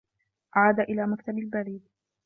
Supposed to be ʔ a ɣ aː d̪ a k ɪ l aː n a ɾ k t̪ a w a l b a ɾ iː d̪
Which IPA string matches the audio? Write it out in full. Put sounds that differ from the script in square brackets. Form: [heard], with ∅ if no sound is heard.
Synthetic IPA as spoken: ʔ a [ʕ] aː d̪ a [ʔ] ɪ l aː [m] a [∅] k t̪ a [b] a l b a ɾ iː d̪